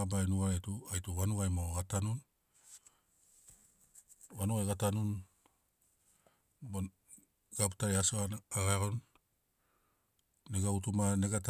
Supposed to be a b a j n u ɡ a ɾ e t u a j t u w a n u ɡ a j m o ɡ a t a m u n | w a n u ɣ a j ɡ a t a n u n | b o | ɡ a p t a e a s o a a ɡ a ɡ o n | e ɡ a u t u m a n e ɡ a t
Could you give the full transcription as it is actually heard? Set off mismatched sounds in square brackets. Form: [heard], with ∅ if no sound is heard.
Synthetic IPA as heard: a b a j n u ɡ a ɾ e t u a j t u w a n u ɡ a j m o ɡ a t a [n] u n | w a n u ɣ a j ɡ a t a n u n | b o | ɡ a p t a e a s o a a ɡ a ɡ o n | e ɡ a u t u m a n e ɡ a t